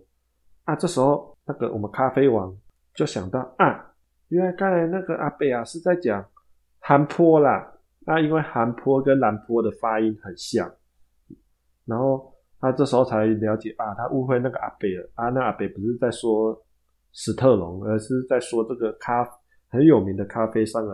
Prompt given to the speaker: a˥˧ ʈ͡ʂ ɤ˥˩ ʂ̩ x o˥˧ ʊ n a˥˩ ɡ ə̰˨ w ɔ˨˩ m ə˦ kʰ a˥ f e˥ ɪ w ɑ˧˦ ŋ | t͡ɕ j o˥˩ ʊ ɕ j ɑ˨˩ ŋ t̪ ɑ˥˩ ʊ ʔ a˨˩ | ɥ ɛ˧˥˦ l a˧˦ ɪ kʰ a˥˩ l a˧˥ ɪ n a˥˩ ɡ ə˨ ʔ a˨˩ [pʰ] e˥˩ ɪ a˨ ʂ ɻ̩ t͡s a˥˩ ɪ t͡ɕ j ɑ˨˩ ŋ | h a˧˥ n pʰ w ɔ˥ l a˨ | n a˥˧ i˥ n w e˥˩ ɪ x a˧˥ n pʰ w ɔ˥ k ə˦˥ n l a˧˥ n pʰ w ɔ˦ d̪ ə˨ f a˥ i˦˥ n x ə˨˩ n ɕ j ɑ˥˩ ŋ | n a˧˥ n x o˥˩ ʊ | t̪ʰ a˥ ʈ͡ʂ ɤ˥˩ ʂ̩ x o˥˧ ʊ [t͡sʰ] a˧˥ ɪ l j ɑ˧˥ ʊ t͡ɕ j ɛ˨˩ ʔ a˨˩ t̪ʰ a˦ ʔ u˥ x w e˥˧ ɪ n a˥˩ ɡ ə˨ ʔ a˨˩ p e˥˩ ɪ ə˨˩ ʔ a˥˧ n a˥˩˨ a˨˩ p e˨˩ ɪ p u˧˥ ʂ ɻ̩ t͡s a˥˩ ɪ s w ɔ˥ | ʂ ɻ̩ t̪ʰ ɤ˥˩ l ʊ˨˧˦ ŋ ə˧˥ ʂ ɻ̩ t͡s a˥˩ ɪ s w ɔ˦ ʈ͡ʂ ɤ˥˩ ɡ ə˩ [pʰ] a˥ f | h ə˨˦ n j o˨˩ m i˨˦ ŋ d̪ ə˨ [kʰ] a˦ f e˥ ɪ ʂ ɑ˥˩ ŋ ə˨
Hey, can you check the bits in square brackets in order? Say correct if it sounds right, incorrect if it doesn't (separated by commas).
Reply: incorrect, correct, incorrect, correct